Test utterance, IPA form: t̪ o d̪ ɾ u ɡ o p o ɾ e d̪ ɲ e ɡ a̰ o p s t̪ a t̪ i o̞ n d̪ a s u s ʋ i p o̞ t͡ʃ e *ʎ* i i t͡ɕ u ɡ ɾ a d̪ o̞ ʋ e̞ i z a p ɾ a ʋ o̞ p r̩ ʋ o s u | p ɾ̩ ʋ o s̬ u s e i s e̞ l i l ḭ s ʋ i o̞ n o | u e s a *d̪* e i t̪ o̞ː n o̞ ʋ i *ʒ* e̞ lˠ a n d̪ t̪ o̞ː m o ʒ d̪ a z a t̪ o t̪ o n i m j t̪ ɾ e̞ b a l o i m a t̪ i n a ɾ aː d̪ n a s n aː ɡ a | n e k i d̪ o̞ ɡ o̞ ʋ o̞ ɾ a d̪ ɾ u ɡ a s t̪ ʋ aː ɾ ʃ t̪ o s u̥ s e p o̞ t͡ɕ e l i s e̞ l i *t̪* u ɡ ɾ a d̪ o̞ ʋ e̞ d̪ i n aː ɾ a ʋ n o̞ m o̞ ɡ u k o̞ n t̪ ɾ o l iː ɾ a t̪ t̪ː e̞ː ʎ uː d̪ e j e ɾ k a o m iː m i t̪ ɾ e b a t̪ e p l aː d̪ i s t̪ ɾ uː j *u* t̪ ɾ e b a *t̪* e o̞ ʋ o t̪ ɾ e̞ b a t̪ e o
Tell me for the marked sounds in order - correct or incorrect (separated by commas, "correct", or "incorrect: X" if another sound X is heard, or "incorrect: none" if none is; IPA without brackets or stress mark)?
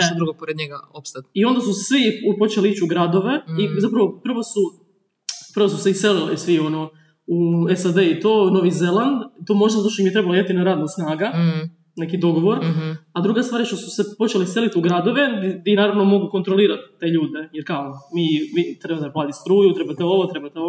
incorrect: l, correct, incorrect: z, correct, correct, correct